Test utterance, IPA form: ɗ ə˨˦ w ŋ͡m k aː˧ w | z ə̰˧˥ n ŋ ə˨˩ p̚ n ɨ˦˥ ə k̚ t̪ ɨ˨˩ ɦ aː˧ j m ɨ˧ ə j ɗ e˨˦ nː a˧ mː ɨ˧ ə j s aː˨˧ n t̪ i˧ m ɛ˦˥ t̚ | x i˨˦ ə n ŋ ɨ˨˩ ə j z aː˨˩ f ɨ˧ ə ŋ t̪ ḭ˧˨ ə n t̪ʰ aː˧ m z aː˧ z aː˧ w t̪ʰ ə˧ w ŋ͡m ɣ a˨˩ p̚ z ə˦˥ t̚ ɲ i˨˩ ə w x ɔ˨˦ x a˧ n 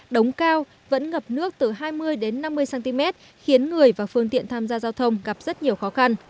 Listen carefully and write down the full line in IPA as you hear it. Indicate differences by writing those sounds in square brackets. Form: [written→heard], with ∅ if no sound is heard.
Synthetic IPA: ɗ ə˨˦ w ŋ͡m k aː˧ w | [z→v] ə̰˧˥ n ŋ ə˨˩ p̚ n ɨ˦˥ ə k̚ t̪ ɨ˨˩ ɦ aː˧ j m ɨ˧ ə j ɗ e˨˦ nː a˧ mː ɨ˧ ə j s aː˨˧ n t̪ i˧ m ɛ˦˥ t̚ | x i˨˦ ə n ŋ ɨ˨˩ ə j [z→v] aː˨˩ f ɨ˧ ə ŋ t̪ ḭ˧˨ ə n t̪ʰ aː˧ m z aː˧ z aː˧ w t̪ʰ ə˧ w ŋ͡m ɣ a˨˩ p̚ z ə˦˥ t̚ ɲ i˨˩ ə w x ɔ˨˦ x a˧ n